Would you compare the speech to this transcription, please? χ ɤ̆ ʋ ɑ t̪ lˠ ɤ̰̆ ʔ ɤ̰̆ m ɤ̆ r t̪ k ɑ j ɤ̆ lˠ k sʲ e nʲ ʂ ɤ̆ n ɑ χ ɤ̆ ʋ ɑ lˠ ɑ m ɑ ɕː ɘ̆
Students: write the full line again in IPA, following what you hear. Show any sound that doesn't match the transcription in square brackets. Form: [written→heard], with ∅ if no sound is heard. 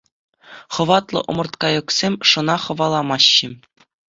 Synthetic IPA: χ ɤ̆ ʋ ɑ t̪ lˠ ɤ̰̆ ʔ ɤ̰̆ m ɤ̆ r t̪ k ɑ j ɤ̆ [lˠ→∅] k sʲ e [nʲ→mʲ] ʂ ɤ̆ n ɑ χ ɤ̆ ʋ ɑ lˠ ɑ m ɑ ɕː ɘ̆